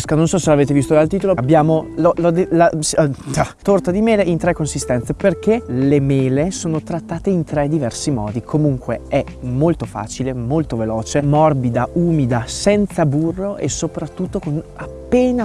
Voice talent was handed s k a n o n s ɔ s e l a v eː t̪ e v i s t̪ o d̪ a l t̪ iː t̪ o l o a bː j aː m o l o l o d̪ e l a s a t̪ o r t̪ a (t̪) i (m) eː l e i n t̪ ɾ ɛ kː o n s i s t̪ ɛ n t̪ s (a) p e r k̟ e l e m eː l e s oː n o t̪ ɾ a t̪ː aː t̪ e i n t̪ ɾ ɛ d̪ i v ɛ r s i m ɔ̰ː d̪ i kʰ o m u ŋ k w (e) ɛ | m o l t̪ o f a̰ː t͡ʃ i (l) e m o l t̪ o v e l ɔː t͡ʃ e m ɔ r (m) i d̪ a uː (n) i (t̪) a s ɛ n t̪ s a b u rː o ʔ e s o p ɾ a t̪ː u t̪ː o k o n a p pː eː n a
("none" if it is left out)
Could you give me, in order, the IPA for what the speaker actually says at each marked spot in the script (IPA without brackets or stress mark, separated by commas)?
d̪, m, e, e, l, b, m, d̪